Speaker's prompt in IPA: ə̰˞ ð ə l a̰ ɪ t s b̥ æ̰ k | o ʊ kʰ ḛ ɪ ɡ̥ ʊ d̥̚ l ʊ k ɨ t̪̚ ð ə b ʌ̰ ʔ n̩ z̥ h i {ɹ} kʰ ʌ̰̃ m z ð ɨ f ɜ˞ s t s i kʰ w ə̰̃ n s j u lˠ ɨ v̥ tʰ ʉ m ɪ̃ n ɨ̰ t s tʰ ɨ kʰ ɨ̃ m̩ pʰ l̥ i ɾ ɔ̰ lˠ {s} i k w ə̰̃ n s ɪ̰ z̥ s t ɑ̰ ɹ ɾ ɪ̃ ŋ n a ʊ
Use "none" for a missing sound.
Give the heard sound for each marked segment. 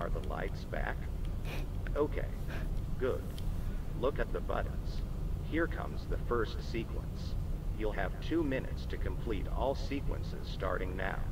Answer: ɹ, s

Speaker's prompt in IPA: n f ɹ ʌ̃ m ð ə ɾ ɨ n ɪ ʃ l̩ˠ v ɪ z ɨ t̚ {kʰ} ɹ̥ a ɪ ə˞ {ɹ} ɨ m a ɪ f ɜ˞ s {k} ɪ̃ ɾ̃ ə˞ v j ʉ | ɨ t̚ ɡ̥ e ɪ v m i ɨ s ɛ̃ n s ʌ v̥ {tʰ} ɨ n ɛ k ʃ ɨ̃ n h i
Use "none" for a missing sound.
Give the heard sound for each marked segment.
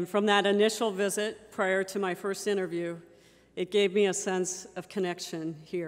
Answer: pʰ, ɾ, t, kʰ

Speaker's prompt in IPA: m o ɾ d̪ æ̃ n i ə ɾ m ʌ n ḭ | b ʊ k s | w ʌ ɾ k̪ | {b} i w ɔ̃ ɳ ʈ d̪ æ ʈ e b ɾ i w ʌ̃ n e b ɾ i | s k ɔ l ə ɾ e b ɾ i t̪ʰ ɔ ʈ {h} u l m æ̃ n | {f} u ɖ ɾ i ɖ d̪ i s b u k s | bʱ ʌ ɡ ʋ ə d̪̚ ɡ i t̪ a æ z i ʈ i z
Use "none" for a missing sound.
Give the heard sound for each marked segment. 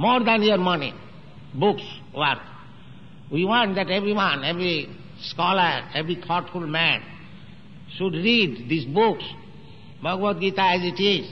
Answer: w, f, ʃ

